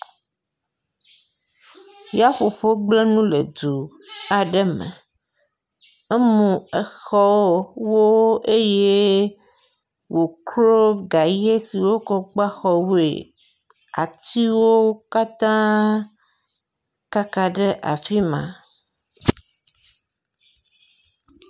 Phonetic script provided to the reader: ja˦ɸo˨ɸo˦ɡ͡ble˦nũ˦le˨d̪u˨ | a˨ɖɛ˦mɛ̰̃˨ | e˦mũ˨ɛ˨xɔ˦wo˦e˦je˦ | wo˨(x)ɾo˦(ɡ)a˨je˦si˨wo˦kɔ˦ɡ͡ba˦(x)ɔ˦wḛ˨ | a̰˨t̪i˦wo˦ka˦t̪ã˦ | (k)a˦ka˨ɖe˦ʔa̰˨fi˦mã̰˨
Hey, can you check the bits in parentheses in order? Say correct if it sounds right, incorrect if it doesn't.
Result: incorrect: k, correct, correct, correct

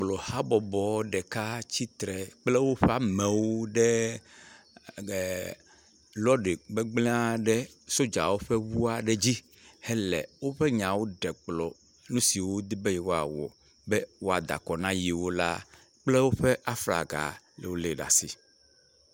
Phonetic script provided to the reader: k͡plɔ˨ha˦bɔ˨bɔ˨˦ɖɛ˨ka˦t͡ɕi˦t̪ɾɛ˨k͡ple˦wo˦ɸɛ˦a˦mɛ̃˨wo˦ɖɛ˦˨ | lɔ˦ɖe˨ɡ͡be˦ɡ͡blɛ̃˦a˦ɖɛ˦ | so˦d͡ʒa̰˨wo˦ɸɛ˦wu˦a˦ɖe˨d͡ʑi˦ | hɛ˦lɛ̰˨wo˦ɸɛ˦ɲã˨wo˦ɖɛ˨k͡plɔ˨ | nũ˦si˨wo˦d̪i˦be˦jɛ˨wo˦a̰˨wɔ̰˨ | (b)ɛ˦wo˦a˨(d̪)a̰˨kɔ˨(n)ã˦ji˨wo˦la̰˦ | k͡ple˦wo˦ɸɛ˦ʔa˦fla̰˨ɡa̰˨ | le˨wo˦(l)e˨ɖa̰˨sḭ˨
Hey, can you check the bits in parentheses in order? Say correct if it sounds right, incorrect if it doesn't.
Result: correct, correct, correct, correct

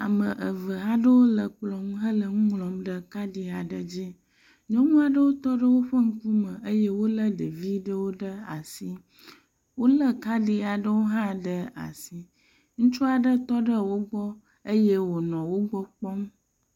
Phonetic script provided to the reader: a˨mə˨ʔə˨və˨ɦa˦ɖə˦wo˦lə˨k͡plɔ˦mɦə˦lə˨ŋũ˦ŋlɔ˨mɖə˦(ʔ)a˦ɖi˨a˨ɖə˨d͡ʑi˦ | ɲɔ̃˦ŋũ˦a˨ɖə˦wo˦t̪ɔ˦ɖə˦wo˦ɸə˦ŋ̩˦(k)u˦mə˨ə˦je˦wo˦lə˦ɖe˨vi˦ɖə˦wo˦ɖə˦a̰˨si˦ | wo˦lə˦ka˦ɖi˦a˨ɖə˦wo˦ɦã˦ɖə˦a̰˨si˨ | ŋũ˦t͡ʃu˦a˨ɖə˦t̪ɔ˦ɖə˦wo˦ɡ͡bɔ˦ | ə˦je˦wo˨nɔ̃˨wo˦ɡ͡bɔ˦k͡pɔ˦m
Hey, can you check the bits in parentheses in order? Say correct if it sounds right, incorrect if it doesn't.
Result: incorrect: k, correct

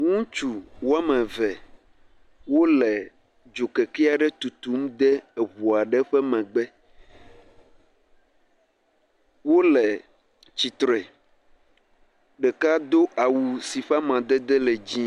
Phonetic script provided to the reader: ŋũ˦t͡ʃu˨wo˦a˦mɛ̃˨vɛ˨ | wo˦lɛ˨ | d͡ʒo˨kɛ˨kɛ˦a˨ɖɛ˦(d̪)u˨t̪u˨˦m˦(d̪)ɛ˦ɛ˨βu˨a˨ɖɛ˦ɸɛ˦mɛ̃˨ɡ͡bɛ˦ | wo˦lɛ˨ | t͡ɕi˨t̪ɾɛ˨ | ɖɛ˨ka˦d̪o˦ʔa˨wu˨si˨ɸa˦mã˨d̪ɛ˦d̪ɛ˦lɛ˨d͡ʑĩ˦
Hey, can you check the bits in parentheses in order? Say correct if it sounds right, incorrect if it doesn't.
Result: incorrect: t̪, correct

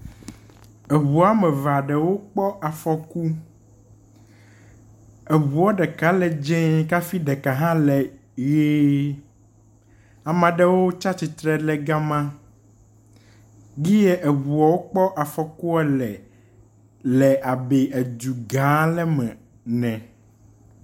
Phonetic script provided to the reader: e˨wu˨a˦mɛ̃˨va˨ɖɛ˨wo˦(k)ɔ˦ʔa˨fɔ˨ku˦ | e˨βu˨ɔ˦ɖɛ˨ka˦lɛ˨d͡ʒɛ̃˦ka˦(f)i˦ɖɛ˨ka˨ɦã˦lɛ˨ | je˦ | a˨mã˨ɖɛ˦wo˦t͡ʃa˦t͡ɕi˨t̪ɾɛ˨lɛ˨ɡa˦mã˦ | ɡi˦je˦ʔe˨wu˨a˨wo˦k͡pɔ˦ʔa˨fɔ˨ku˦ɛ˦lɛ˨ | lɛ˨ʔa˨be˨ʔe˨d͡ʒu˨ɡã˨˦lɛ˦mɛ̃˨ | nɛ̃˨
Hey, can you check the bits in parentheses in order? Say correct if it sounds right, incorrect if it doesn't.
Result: incorrect: k͡p, correct

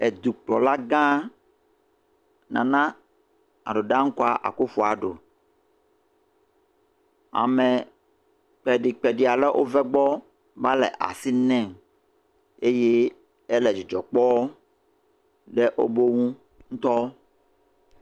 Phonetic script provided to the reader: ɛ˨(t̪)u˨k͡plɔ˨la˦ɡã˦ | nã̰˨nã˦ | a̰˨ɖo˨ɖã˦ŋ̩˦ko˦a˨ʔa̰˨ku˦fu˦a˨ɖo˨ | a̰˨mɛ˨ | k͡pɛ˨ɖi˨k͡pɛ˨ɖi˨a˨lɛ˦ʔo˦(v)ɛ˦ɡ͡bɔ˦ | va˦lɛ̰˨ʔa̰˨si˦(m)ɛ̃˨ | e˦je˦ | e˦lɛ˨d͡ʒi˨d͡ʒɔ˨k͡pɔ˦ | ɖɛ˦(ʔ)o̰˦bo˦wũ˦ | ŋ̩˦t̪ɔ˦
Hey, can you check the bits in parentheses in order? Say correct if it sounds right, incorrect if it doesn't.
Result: incorrect: d̪, correct, incorrect: n, correct

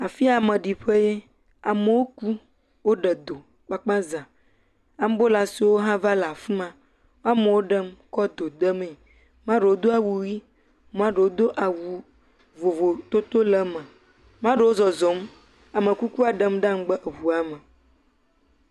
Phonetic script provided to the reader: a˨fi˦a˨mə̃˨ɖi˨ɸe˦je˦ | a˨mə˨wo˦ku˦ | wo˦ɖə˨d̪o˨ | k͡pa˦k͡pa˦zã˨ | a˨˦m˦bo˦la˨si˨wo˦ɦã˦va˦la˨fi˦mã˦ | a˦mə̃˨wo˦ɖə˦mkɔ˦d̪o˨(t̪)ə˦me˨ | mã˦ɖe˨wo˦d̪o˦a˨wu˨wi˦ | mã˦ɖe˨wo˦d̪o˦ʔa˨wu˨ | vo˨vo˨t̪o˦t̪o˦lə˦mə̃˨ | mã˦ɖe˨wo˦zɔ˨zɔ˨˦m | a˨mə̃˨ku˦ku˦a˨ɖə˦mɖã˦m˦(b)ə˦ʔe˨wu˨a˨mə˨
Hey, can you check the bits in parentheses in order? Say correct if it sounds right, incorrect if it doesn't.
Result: incorrect: d̪, incorrect: ɡ͡b

